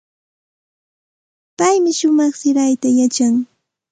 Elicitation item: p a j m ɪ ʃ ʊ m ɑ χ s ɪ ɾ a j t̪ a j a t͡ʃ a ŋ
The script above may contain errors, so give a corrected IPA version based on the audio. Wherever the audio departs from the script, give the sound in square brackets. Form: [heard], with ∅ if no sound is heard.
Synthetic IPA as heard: p a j m ɪ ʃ ʊ m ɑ χ s ɪ ɾ a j t̪ a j a t͡ʃ a ŋ